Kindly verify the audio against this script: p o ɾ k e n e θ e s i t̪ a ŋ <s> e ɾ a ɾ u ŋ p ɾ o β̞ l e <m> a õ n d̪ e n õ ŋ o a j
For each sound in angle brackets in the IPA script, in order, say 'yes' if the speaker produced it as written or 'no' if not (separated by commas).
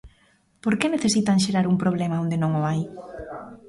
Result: no, yes